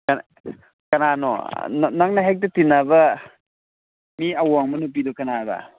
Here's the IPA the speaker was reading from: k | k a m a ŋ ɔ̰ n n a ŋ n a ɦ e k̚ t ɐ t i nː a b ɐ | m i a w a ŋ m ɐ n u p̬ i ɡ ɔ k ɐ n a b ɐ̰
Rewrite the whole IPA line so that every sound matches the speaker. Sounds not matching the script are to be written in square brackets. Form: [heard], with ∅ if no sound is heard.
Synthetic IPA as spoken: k | k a [n] a [n] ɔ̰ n n a ŋ n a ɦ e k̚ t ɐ t i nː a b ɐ | m i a w a ŋ m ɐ n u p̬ i [d] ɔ k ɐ n a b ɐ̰